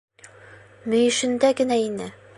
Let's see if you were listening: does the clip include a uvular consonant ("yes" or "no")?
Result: no